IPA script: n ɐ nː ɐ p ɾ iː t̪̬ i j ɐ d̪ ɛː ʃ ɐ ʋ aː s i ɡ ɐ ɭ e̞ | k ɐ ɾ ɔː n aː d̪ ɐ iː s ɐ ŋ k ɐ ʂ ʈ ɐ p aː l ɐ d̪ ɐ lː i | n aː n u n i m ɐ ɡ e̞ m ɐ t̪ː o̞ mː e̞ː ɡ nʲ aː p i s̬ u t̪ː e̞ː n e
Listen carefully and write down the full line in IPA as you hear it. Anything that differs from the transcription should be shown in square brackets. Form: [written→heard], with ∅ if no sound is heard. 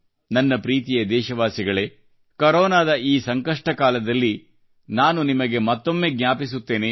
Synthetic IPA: n ɐ nː ɐ p ɾ iː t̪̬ i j ɐ d̪ ɛː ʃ ɐ ʋ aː s i ɡ ɐ ɭ e̞ | k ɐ ɾ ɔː n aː d̪ ɐ iː s ɐ ŋ k ɐ ʂ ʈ ɐ [p→k] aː l ɐ d̪ ɐ lː i | n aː n u n i m ɐ ɡ e̞ m ɐ t̪ː o̞ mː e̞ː ɡ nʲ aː p i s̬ u t̪ː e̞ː n e

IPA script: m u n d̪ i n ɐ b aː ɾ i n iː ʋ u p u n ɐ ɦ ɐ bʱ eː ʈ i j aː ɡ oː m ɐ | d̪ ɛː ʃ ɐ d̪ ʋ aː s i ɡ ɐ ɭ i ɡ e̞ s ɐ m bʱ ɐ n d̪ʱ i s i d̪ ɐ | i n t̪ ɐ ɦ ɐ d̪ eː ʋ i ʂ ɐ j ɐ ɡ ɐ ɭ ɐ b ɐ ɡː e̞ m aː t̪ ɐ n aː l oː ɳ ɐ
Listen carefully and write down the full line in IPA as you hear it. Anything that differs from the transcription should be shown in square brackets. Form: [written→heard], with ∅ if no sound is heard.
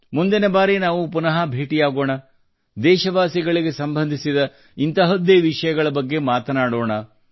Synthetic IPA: m u n d̪ i n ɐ b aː ɾ i n [iː→aː] ʋ u p u n ɐ ɦ ɐ bʱ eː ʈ i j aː ɡ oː [m→ɳ] ɐ | d̪ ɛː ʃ ɐ [d̪→∅] ʋ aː s i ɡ ɐ ɭ i ɡ e̞ s ɐ m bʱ ɐ n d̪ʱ i s i d̪ ɐ | i n t̪ ɐ ɦ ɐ d̪ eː ʋ i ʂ ɐ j ɐ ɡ ɐ ɭ ɐ b ɐ ɡː e̞ m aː t̪ ɐ n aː [l→ɽ] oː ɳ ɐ

